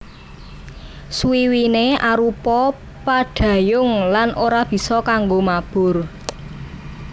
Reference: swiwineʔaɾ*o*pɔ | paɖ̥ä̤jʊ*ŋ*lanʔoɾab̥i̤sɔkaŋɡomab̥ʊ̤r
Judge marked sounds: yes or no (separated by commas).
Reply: no, yes